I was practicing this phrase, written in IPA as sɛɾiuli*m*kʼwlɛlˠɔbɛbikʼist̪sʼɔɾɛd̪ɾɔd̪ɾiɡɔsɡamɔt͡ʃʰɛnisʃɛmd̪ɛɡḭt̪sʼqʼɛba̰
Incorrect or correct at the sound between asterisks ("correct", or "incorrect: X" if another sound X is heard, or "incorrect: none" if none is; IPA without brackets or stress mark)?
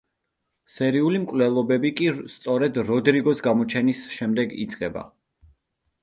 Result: correct